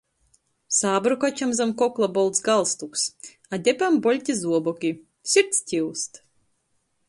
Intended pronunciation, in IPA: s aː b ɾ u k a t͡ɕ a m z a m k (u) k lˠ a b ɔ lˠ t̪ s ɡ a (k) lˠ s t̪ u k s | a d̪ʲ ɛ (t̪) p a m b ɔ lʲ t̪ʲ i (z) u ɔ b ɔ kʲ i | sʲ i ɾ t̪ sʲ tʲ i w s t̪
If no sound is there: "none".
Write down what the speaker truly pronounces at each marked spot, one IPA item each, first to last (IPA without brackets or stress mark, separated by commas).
ɔ, none, none, z